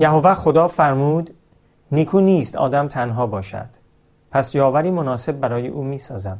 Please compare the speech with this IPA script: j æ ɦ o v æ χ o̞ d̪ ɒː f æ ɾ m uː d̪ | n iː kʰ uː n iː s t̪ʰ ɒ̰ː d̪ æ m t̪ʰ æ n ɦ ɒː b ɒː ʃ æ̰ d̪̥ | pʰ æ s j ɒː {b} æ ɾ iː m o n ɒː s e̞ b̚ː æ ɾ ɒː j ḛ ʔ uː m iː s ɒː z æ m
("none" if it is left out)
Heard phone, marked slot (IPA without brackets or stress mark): v